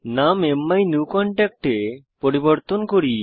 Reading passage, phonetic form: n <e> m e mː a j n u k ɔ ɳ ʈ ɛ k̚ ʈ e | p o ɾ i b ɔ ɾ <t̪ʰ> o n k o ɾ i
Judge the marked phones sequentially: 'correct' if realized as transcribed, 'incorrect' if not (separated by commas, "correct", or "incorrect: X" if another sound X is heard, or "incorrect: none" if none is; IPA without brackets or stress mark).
incorrect: a, incorrect: t̪